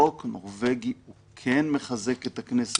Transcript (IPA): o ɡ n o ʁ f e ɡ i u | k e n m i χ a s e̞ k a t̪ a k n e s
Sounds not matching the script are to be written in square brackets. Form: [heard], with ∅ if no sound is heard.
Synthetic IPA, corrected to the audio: o [k] n o ʁ [v] e ɡ i u | [kʰ] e n m [e] χ a [z] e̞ k [e] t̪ a k n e s